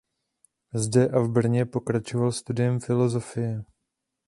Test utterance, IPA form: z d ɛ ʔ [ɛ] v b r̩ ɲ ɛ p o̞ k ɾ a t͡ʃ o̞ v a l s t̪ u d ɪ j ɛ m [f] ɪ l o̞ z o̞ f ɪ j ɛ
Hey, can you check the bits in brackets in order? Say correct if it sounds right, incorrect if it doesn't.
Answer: incorrect, correct

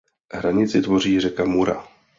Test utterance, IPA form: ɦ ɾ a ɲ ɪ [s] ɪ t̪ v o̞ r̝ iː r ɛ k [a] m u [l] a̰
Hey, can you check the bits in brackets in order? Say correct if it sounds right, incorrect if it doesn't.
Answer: incorrect, correct, incorrect

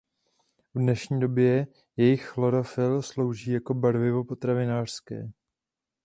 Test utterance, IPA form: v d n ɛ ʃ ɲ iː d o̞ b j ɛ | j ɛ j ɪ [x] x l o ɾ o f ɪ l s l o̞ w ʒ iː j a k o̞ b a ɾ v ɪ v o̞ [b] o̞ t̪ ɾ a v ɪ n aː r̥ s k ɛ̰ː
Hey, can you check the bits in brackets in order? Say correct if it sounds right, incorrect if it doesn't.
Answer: correct, incorrect

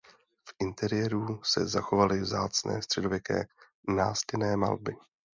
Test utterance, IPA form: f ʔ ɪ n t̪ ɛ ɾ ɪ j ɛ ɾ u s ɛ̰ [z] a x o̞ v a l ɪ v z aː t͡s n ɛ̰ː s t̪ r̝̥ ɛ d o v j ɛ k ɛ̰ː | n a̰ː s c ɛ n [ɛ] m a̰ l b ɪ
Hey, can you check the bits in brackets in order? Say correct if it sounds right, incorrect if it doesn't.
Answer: correct, incorrect

